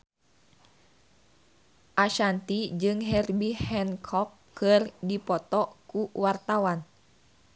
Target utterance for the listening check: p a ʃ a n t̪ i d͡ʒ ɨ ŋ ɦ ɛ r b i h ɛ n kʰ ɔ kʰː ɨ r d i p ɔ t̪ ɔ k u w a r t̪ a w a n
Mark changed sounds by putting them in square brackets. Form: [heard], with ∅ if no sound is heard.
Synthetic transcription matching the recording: [ʔ] a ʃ a n t̪ i d͡ʒ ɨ ŋ ɦ ɛ r b i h ɛ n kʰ ɔ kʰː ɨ r d i p ɔ t̪ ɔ k u w a r t̪ a w a n